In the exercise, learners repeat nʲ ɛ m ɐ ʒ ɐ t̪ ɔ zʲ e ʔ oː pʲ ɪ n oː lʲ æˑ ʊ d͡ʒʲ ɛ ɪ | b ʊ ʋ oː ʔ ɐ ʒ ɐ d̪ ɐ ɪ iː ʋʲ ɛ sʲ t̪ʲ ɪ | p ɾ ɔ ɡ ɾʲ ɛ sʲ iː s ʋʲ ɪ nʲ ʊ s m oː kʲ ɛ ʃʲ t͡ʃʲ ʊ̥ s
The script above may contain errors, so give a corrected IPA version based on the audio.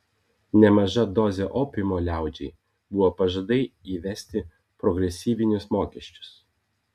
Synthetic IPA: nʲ ɛ m ɐ ʒ ɐ d̪ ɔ zʲ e ʔ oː pʲ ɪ m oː lʲ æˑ ʊ d͡ʒʲ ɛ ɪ | b ʊ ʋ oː p ɐ ʒ ɐ d̪ ɐ ɪ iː ʋʲ ɛ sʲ t̪ʲ ɪ | p ɾ ɔ ɡ ɾʲ ɛ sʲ iː ʋʲ ɪ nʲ ʊ s m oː kʲ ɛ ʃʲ t͡ʃʲ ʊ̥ s